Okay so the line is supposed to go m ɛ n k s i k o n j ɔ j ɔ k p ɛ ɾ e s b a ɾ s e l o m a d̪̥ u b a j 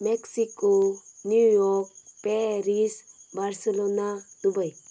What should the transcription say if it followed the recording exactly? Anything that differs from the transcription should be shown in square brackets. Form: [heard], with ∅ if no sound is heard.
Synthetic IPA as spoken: m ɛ [∅] k s i k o n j [u] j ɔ k p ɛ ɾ [i] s b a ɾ s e l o [n] a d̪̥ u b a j